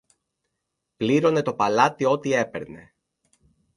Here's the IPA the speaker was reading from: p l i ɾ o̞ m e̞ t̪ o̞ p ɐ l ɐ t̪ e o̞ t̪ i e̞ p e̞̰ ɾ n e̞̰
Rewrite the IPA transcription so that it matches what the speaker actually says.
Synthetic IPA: p l i ɾ o̞ n e̞ t̪ o̞ p ɐ l ɐ t̪ i o̞ t̪ i e̞ p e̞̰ ɾ n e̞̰